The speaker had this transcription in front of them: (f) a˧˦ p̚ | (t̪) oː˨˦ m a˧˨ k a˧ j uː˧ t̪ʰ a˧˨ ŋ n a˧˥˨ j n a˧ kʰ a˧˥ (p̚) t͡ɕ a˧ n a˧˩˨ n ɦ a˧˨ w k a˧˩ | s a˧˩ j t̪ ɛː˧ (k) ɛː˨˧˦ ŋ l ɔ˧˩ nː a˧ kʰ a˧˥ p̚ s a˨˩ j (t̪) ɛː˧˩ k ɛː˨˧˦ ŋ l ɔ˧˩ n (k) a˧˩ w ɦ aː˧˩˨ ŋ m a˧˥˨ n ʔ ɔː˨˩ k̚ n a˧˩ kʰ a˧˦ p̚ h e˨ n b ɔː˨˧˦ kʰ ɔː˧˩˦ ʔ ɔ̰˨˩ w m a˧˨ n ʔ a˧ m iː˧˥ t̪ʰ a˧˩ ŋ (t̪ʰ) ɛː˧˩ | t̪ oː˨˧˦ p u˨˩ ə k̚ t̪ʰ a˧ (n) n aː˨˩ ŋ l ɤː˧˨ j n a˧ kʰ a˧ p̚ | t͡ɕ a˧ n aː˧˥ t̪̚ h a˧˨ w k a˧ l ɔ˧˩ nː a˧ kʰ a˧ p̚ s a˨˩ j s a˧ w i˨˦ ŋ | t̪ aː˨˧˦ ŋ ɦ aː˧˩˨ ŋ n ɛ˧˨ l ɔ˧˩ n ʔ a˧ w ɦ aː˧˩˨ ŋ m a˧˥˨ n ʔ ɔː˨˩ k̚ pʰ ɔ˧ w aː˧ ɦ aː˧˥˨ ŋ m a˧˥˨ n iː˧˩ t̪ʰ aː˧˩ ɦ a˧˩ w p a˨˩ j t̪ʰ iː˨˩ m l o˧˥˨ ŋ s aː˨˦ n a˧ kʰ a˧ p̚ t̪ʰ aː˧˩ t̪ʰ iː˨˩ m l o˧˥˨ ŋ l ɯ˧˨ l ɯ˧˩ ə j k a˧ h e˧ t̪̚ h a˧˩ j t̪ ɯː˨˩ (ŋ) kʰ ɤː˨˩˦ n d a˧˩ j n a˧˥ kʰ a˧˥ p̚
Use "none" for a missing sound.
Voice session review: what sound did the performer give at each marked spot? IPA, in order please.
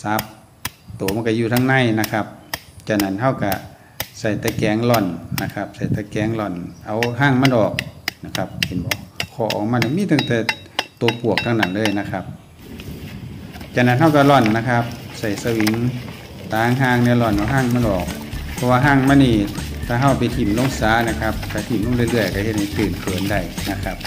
s, t̪, p̚, k, t̪, ʔ, t̪, ŋ, n

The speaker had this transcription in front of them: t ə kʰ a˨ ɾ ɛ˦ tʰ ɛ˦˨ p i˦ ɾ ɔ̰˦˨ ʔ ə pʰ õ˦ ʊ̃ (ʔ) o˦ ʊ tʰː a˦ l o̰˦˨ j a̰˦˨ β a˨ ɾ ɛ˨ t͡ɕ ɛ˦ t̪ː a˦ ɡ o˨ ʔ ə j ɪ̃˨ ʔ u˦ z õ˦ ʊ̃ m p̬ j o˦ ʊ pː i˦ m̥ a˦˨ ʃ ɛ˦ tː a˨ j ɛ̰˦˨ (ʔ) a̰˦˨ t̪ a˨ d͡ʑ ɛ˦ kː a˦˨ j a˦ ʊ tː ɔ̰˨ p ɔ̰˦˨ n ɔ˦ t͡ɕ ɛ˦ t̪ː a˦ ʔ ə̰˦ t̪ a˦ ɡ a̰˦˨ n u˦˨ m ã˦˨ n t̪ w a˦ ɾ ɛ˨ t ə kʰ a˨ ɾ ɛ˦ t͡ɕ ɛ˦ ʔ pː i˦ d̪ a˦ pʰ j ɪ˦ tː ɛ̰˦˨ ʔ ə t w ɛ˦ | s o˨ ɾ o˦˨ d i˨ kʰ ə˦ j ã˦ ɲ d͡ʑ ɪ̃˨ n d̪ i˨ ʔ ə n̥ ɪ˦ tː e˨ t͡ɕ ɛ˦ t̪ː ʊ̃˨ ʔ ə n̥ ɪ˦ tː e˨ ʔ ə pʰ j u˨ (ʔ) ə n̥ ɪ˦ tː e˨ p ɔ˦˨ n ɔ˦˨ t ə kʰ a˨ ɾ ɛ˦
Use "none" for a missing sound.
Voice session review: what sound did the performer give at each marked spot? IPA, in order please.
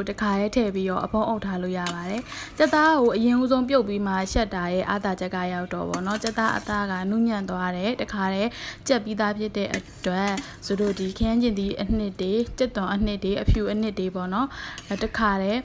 ʔ, ʔ, ʔ

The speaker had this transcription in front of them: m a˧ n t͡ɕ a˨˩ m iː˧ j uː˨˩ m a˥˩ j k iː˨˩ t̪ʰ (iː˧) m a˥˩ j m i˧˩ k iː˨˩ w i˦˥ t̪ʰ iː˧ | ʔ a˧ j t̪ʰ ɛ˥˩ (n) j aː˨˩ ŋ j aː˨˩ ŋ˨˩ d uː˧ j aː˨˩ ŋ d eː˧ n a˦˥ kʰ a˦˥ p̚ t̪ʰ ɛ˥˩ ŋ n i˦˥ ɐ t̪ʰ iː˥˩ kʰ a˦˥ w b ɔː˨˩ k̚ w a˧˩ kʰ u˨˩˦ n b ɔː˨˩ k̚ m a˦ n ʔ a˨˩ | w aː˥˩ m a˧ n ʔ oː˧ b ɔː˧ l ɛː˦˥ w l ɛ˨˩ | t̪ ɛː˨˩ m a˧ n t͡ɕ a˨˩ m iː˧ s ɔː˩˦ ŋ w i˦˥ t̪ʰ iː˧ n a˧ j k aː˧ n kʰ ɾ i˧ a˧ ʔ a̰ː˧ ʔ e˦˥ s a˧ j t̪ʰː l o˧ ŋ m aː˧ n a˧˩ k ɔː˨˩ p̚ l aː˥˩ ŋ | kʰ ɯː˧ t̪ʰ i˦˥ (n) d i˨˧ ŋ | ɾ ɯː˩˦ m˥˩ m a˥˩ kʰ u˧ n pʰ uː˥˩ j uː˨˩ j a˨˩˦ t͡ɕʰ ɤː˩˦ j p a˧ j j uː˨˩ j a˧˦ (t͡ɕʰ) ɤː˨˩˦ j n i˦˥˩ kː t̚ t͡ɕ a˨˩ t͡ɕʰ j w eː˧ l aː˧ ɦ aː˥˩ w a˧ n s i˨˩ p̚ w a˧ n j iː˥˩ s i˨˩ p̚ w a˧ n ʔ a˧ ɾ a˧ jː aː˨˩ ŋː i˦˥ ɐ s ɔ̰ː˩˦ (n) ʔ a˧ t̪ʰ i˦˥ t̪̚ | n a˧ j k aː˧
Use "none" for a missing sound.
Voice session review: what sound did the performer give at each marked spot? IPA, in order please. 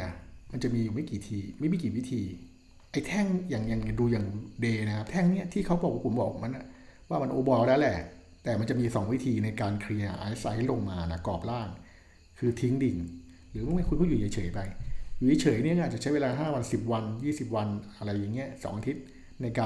iː˧, ŋ, ŋ, t͡ɕʰ, ŋ

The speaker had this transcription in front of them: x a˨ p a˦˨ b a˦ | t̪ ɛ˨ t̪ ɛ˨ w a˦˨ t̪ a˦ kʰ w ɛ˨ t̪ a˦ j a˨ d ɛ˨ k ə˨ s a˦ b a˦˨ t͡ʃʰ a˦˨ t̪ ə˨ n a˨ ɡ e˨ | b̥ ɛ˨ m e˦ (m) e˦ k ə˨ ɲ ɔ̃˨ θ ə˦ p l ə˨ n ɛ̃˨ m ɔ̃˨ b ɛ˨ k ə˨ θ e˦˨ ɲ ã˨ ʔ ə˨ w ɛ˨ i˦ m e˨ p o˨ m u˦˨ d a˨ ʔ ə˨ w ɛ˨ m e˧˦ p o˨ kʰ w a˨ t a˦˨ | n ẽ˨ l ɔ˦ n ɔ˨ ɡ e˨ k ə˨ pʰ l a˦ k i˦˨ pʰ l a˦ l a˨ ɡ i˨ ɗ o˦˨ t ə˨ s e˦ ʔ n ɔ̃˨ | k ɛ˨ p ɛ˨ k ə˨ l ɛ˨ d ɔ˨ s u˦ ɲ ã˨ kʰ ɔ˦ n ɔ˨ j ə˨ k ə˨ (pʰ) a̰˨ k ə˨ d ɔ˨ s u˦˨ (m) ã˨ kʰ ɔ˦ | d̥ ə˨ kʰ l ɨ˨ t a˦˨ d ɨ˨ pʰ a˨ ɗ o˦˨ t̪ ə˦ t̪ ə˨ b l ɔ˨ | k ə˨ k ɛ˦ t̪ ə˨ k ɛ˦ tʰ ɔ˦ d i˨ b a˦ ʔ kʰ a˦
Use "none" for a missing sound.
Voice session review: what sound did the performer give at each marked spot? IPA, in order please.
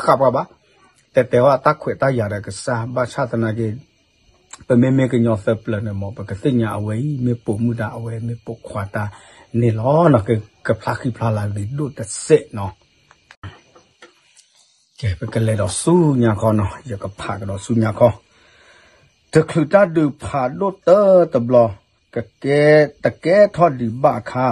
m, pʰ, ɲ

